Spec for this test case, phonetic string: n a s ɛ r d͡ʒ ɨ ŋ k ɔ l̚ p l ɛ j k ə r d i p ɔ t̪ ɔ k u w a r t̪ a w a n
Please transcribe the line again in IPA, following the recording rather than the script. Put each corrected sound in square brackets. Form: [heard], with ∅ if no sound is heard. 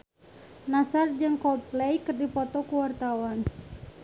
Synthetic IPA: n a s [a] r d͡ʒ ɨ ŋ k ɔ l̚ p l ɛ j k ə r d i p ɔ t̪ ɔ k u w a r t̪ a w a n